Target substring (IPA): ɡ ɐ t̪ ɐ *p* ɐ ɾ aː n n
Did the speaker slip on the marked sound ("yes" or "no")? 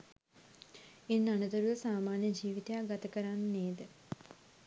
yes